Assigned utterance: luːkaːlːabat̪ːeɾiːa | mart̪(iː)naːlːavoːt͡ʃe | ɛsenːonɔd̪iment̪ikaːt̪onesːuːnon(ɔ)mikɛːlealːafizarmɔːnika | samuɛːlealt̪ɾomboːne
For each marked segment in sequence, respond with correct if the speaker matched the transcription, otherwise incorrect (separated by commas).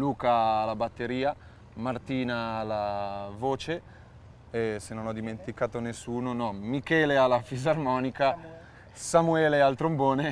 correct, correct